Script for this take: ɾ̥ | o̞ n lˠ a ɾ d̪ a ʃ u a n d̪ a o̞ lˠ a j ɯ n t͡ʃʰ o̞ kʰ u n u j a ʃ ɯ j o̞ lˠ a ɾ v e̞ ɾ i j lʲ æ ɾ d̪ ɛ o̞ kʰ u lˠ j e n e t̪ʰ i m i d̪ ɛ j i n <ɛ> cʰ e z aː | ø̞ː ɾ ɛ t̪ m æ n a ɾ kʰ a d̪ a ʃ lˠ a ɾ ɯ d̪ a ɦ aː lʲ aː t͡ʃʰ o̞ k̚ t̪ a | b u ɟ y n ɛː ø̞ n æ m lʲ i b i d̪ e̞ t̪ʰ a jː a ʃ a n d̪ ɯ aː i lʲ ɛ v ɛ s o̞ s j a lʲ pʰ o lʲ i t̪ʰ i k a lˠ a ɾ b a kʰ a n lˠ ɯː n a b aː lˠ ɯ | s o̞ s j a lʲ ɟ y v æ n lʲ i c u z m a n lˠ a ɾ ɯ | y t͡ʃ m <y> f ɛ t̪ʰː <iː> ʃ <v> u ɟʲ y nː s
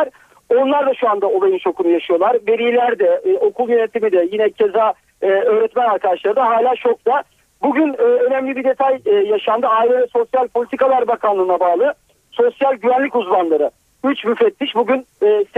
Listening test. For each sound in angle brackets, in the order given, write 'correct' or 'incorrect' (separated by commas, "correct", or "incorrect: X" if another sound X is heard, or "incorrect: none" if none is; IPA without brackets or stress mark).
correct, correct, incorrect: i, incorrect: b